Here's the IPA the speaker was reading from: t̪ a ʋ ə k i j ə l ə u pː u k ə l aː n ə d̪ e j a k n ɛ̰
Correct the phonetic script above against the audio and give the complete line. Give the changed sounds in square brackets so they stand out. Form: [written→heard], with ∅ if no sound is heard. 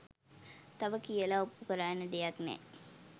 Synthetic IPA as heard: t̪ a ʋ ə k i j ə l [ə→a] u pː u k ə [l→ɾ] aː n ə d̪ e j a k n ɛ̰